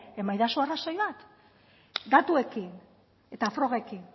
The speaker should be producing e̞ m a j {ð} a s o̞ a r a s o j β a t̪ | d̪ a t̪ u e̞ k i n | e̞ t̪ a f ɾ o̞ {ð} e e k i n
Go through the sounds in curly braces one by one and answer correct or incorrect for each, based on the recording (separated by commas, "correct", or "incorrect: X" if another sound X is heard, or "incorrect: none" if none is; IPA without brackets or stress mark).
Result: correct, incorrect: ɣ